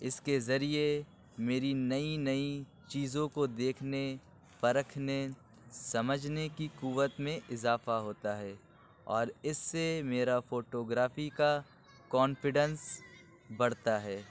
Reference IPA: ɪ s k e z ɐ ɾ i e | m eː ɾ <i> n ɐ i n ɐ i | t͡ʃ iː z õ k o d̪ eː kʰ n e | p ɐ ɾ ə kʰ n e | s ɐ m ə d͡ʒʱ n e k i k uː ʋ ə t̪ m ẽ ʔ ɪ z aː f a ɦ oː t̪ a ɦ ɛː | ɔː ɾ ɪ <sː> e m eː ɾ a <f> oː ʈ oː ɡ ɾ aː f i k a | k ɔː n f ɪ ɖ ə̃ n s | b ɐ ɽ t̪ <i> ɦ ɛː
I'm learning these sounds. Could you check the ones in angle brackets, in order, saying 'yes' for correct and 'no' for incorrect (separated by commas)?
yes, yes, yes, no